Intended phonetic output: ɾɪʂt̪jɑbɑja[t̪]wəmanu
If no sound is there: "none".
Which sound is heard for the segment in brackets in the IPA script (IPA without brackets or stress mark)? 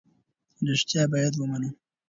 d̪